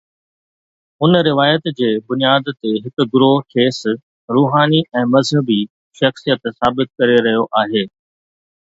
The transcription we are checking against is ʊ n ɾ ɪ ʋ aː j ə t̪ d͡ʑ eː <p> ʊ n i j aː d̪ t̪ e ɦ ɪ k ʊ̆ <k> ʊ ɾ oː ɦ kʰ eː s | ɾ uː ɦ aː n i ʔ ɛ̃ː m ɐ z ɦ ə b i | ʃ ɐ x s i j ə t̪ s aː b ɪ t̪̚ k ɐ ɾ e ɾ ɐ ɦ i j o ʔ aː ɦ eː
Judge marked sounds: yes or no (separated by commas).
no, no